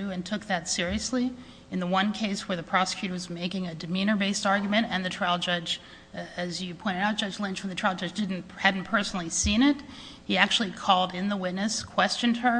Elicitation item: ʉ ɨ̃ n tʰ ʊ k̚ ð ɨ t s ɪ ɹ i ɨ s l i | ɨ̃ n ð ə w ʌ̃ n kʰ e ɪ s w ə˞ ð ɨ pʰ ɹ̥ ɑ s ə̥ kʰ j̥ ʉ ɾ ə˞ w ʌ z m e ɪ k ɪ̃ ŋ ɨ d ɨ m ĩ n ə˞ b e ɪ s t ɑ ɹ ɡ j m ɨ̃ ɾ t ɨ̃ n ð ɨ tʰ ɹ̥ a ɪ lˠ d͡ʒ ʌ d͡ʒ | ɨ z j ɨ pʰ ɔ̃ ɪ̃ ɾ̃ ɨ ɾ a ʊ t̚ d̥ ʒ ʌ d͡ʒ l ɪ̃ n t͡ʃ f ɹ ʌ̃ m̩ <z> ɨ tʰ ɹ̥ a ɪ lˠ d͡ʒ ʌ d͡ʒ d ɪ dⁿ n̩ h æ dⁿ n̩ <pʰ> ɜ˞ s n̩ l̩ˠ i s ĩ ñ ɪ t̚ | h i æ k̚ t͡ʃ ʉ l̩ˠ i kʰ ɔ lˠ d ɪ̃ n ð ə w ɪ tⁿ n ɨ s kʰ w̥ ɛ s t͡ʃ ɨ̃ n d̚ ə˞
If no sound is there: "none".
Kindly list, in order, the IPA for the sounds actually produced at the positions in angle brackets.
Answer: ð, pʰ

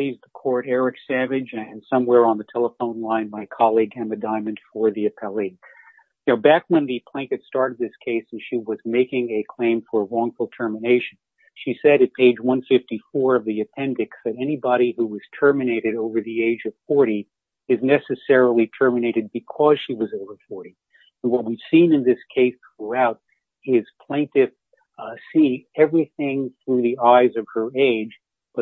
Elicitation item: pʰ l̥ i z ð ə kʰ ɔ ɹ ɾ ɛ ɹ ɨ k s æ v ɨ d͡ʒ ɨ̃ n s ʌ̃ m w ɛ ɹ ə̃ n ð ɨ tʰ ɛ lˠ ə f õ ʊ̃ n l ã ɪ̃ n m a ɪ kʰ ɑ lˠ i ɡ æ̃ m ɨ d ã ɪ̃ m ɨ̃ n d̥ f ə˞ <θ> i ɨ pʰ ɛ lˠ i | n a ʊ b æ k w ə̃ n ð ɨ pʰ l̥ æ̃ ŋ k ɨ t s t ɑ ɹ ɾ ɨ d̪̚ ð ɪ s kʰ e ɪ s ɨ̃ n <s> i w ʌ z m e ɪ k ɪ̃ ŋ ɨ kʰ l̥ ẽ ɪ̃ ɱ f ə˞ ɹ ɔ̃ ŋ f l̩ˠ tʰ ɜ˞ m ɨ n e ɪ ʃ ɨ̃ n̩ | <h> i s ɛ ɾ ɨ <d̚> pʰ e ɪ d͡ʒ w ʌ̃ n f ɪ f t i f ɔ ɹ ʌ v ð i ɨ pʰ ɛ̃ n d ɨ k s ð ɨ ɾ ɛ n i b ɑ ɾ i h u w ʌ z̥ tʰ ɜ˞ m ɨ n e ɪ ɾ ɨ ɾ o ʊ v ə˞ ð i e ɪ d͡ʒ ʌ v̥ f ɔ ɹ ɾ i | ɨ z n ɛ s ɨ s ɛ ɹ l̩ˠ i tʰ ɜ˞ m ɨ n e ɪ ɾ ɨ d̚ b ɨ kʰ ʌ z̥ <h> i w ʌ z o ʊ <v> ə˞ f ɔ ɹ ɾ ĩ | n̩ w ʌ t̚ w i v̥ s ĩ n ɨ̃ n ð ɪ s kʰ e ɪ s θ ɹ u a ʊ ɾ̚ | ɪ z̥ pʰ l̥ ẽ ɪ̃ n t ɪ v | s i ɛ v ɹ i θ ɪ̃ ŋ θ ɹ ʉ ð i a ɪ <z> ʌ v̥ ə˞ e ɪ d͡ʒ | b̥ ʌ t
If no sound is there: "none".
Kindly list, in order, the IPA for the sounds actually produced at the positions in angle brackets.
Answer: ð, ʃ, ʃ, t̚, ʃ, v, z

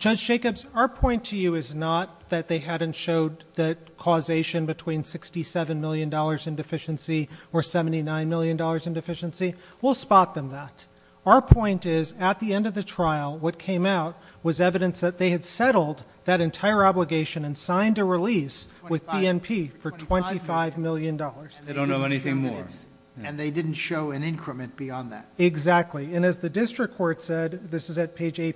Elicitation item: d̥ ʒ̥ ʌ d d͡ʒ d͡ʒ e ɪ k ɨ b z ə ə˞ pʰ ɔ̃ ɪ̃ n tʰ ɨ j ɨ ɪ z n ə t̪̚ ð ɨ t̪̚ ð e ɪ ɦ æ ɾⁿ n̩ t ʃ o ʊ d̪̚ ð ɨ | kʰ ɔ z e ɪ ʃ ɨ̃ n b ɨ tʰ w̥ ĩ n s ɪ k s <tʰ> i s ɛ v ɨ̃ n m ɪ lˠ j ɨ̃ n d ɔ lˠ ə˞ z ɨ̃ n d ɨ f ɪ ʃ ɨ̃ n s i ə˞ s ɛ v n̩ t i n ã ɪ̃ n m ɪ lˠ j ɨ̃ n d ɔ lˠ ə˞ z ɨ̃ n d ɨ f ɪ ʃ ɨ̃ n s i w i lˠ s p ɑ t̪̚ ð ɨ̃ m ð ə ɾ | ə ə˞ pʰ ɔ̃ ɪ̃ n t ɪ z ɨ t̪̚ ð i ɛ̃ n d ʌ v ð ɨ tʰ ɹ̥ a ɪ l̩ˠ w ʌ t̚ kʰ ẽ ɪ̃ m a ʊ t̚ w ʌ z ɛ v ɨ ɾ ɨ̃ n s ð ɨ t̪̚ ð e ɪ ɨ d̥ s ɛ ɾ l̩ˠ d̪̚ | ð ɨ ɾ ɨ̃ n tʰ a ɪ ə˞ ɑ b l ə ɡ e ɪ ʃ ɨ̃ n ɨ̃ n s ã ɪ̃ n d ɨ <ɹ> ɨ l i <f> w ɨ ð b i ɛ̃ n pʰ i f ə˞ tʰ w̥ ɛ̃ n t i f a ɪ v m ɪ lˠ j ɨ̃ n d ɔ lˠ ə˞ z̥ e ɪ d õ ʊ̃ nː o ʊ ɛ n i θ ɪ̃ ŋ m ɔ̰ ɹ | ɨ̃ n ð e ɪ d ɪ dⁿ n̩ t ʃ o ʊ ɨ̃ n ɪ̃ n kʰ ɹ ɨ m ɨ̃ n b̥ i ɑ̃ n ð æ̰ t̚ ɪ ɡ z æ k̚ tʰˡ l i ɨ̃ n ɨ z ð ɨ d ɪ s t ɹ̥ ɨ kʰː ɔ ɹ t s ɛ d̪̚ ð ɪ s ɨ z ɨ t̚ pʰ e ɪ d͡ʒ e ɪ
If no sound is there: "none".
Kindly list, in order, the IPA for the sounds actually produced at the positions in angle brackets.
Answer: t, ɹ, s

